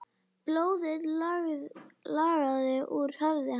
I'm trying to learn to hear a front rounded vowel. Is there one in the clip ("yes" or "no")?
yes